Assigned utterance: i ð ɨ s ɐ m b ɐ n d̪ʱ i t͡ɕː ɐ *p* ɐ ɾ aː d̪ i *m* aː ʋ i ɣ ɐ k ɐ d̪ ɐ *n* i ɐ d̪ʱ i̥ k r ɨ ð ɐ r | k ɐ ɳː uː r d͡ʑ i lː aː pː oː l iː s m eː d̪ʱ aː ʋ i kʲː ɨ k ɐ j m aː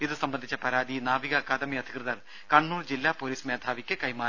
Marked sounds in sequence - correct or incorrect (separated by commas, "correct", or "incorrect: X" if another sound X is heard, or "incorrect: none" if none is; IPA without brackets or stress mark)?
correct, incorrect: n, incorrect: m